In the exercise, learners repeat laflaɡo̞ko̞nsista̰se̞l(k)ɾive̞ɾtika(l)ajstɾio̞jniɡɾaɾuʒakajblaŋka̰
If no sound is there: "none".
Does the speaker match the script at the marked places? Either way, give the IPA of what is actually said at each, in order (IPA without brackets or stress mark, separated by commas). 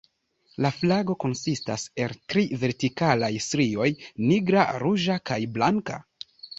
t, l